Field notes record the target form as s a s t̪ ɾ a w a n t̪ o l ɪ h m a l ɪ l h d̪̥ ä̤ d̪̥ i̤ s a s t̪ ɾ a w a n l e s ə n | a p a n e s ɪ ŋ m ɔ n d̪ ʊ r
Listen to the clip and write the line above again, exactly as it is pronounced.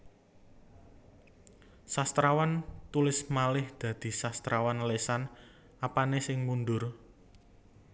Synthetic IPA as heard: s a s t̪ ɾ a w a n t̪ u l ɪ s m a l ɪ h d̪̥ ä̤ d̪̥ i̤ s a s t̪ ɾ a w a n l e s a n | a p a n e s ɪ ŋ m u n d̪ ʊ r